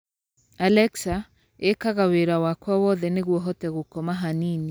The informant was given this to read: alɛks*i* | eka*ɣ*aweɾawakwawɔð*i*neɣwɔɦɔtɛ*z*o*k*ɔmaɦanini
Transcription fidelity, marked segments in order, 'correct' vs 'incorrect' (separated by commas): incorrect, correct, incorrect, incorrect, correct